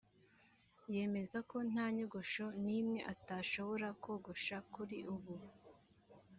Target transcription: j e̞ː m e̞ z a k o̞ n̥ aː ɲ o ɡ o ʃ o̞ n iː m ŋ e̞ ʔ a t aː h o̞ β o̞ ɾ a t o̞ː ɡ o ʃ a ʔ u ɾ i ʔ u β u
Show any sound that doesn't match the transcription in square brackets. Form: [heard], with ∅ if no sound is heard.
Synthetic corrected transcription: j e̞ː m e̞ z a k o̞ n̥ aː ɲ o ɡ o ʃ o̞ n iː m ŋ e̞ ʔ a t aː [ʃ] o̞ β o̞ ɾ a [k] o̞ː ɡ o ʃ a [k] u ɾ i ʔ u β u